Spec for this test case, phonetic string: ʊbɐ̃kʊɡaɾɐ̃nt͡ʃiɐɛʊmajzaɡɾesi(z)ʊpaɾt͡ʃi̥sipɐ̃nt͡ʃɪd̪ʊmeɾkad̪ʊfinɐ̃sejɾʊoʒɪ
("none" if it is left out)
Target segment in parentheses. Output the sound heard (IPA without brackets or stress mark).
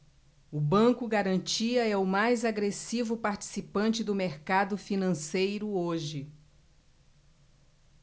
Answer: v